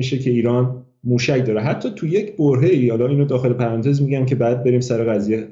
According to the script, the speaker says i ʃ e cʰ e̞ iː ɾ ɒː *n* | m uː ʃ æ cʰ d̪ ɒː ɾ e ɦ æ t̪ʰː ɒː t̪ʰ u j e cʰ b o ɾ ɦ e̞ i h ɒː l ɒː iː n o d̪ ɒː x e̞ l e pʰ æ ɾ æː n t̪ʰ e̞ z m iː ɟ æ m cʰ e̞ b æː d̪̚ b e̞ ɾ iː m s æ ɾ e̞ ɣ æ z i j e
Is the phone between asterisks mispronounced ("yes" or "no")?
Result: no